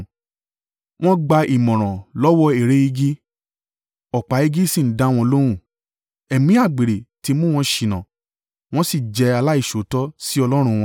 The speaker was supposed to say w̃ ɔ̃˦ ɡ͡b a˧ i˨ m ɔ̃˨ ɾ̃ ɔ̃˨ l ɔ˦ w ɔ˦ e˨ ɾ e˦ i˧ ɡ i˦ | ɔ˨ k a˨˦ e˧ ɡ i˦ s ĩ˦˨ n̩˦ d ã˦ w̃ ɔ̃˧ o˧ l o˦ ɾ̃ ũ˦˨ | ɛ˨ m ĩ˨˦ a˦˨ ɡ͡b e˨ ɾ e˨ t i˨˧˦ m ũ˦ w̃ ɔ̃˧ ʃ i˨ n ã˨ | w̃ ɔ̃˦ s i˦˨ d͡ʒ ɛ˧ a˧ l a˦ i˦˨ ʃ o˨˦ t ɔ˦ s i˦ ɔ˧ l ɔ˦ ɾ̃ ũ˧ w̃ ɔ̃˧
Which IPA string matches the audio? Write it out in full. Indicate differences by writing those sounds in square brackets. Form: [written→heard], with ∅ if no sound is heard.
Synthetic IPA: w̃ ɔ̃˦ ɡ͡b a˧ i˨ m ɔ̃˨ ɾ̃ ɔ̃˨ l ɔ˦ w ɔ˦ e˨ ɾ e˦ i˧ ɡ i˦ | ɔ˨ [k→k͡p] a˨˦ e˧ ɡ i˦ s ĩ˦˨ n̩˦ d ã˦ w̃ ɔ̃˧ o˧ l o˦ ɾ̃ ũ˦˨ | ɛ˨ m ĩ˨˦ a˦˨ ɡ͡b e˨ ɾ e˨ t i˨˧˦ m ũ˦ w̃ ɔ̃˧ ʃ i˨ n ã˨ | w̃ ɔ̃˦ s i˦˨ d͡ʒ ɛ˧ a˧ l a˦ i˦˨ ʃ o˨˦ t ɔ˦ s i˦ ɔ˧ l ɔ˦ ɾ̃ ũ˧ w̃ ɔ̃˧